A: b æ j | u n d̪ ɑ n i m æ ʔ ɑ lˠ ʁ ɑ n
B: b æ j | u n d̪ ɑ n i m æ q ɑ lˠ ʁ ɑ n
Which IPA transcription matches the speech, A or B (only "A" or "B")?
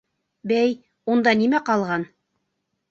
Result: B